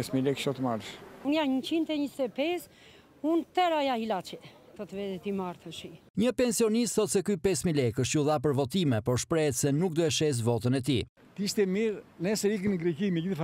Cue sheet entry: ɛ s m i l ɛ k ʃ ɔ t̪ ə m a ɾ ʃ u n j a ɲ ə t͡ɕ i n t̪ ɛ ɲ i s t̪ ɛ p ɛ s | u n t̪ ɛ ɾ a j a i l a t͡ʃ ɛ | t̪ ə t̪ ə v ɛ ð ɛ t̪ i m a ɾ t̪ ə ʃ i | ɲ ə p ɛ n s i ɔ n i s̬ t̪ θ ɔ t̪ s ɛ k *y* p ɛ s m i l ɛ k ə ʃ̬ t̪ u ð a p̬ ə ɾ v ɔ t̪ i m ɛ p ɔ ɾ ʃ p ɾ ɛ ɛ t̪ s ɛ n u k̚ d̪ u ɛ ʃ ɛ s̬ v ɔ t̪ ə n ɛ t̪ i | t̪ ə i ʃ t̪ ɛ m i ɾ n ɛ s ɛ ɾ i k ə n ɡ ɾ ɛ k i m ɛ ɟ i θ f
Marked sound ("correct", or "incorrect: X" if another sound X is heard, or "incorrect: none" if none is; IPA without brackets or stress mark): correct